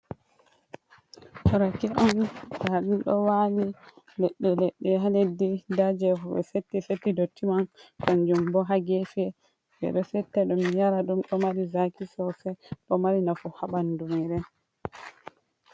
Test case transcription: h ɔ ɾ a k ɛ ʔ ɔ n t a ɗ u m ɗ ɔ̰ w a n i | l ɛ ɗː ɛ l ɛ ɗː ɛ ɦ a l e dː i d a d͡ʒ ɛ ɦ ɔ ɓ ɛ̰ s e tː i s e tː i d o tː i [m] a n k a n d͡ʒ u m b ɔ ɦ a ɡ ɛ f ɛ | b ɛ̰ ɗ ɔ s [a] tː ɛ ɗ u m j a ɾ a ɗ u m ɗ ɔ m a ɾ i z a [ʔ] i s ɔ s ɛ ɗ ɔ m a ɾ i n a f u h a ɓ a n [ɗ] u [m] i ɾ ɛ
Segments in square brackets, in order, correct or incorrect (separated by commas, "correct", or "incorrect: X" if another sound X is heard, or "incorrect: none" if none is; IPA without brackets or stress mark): correct, incorrect: ɛ, incorrect: k, incorrect: d, correct